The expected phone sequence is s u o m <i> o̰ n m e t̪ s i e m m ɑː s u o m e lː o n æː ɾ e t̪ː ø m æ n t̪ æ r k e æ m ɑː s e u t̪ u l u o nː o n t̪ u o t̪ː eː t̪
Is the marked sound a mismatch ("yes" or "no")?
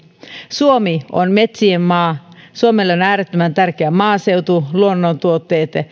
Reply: no